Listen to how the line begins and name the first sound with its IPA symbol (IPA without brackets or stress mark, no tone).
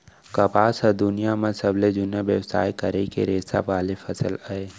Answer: k